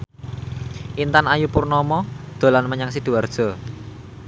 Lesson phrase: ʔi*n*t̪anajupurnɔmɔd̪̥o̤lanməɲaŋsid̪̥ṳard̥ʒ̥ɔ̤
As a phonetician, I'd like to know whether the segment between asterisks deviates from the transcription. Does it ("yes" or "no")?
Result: no